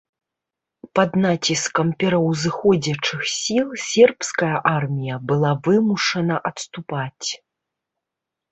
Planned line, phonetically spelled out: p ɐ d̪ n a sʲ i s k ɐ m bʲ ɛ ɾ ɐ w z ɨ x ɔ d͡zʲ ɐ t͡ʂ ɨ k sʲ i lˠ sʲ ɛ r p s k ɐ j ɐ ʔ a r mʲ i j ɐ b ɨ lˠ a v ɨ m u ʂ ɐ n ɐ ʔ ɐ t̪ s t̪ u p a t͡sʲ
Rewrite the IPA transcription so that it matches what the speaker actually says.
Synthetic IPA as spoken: p ɐ d̪ n a t͡sʲ i s k ɐ m pʲ ɛ ɾ ɐ w z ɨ x ɔ d͡zʲ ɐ t͡ʂ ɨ x sʲ i lˠ sʲ ɛ r p s k ɐ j ɐ ʔ a r mʲ i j ɐ b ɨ lˠ a v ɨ m u ʂ ɐ n ɐ ʔ ɐ t̪ s t̪ u p a t͡sʲ